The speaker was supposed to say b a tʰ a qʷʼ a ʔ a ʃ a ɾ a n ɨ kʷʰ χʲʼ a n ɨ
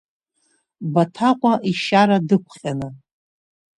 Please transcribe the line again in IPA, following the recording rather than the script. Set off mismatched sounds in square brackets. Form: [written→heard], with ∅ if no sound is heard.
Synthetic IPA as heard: b a tʰ a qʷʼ a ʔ [a→i] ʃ a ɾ a [n→d] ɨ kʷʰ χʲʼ a n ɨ

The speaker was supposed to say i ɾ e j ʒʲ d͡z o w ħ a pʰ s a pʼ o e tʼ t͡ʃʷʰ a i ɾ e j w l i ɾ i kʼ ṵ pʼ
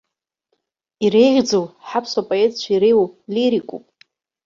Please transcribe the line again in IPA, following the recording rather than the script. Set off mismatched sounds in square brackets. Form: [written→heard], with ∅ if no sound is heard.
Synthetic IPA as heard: i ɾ e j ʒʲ d͡z o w ħ a pʰ s a pʼ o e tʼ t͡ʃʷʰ a i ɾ e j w l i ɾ i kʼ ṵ pʼ

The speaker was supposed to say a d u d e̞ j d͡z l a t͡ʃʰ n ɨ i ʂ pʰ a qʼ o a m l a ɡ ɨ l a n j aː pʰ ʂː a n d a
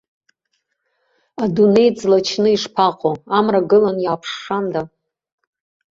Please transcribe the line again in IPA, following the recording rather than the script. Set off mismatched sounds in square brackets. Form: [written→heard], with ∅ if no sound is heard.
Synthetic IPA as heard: a d u [d→n] e̞ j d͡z l a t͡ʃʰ n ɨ i ʂ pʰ a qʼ o a m [l→r] a ɡ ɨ l a n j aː pʰ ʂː a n d a

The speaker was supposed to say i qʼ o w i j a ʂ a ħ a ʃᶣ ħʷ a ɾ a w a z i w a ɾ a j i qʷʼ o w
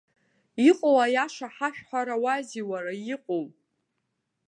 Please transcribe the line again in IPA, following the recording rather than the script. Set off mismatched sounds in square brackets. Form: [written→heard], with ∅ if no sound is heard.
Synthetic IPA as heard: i qʼ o w [i→a] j a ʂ a ħ a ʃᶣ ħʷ a ɾ a w a z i w a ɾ a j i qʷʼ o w

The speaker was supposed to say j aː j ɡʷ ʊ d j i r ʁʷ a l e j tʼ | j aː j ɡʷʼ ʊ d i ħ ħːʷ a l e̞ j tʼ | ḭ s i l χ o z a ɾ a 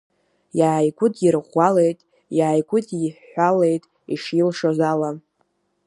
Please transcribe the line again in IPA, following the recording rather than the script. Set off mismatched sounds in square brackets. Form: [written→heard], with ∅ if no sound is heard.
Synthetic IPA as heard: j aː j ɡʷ ʊ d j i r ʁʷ a l e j tʼ | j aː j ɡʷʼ ʊ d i ħ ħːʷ a l e̞ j tʼ | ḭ [s→ʂ] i l [χ→ʂ] o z a [ɾ→l] a

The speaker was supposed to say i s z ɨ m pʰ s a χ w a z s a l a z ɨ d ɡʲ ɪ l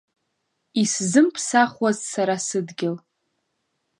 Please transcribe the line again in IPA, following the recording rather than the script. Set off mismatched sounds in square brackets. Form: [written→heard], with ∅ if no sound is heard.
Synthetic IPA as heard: i s z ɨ m pʰ s a χ w a z s a [l→ɾ] a [z→s] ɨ d ɡʲ ɪ l

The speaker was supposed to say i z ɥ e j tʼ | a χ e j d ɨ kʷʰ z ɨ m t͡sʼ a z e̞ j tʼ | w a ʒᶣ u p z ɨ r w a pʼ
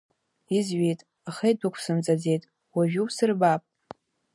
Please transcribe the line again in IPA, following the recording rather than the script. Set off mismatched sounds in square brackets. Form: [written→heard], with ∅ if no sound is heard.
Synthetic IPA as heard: i z ɥ e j tʼ | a χ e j d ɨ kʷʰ [z→s] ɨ m t͡sʼ a [z→d͡z] e̞ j tʼ | w a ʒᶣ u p [z→s] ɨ r [w→b] a pʼ

